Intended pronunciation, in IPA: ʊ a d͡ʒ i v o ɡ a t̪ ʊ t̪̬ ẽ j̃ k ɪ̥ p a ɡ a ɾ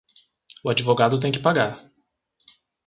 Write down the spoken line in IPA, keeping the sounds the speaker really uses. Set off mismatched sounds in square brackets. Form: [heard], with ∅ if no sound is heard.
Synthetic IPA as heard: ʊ a d͡ʒ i v o ɡ a [d̪] ʊ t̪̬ ẽ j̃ k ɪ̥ p a ɡ a ɾ